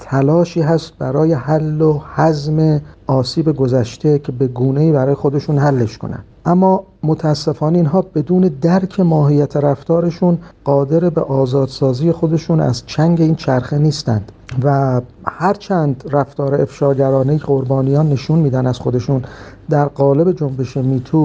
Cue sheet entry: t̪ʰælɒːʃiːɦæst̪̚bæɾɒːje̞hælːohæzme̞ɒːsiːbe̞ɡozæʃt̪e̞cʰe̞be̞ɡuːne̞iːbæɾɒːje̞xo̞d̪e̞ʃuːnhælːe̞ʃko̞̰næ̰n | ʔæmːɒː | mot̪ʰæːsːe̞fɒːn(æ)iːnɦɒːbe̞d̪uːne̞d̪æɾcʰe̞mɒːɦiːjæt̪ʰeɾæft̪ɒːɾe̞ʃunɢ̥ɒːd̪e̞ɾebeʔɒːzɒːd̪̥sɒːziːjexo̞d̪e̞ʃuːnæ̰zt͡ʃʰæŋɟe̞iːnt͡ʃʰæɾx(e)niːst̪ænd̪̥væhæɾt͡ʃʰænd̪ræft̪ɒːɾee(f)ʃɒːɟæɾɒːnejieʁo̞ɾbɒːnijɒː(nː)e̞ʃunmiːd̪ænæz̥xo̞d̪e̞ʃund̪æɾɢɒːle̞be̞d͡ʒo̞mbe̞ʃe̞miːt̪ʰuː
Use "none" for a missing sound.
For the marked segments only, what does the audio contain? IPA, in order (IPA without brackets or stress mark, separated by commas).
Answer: e, e, f, nː